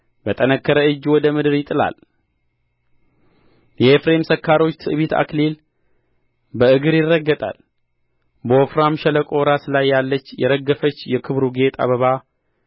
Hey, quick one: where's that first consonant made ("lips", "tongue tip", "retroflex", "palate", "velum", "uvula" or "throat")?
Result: lips